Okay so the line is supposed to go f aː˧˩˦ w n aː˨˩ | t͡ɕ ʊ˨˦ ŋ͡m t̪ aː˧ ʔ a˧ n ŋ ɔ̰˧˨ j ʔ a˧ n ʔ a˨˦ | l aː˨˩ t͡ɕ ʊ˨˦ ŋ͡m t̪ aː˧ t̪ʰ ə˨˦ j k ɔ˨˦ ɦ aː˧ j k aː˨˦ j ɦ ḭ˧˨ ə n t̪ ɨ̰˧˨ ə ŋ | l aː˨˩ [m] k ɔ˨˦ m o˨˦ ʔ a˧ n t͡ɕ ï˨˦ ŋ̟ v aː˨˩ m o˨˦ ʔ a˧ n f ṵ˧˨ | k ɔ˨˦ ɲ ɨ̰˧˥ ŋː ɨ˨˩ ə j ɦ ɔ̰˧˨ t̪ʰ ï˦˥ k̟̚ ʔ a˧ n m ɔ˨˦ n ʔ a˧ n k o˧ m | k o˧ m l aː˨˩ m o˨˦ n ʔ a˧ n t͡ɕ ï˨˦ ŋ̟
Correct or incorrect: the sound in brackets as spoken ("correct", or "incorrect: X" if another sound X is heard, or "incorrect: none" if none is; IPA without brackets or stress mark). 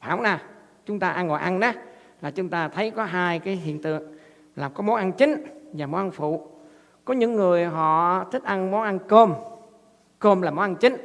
correct